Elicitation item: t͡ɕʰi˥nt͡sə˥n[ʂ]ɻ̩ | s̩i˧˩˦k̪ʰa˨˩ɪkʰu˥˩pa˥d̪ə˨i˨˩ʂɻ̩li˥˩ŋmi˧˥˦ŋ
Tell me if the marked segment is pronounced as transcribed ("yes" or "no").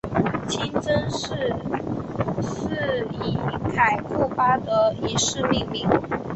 yes